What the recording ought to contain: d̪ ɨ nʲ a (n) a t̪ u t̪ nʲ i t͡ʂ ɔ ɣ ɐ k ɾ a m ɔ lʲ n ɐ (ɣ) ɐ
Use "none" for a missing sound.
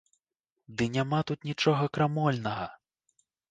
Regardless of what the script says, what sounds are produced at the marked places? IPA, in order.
m, ɣ

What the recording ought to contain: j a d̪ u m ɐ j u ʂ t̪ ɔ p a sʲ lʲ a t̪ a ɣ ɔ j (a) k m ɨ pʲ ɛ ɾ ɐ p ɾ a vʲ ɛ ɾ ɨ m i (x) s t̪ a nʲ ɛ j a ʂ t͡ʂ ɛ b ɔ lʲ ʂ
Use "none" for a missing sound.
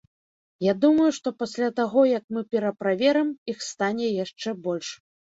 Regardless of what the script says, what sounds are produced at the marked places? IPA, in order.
ɐ, x

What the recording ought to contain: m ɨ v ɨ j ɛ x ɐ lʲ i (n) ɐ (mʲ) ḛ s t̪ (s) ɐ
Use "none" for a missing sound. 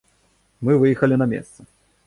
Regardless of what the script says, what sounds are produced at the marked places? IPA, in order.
n, mʲ, s

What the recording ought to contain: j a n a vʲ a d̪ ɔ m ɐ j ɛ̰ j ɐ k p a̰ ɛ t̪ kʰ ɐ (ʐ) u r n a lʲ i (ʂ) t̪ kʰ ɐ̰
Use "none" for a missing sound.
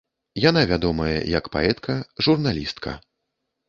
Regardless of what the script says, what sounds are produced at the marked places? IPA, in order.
ʐ, s

